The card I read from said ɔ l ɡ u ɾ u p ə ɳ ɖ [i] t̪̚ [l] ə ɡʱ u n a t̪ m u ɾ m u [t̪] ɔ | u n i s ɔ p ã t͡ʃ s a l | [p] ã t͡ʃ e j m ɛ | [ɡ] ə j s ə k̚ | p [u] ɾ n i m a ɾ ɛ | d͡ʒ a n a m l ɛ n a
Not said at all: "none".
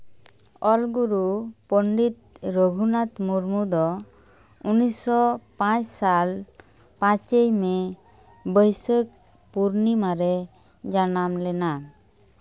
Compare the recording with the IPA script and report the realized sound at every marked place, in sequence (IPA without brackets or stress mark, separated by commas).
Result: i, ɾ, d̪, p, b, u